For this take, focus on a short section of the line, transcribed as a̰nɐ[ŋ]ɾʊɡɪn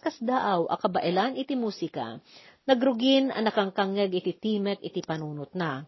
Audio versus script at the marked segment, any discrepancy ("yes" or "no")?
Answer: yes